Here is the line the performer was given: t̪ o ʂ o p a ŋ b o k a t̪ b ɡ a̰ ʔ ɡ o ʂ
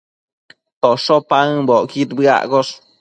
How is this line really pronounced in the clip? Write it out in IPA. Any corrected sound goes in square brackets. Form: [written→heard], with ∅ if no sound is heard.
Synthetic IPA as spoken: t̪ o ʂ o p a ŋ b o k [a→i] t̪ b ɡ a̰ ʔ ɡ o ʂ